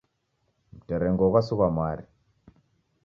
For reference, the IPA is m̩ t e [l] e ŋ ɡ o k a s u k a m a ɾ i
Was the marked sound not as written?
yes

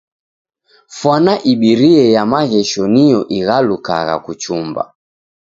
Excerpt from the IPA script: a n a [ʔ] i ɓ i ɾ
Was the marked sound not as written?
no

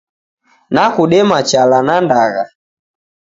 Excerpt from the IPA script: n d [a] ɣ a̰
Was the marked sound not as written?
no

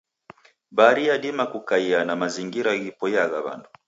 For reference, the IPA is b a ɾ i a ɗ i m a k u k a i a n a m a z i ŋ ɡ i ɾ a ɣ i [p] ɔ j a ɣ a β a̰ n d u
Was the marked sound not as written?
no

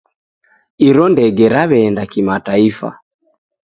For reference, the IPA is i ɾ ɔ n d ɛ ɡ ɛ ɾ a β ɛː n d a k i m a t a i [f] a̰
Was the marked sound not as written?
no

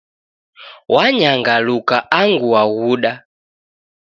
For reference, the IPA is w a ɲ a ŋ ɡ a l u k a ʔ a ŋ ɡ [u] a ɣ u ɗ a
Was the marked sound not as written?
no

